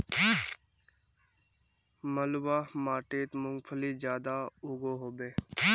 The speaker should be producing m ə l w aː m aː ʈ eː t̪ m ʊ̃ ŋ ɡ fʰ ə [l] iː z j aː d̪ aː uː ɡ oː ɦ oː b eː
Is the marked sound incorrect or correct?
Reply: correct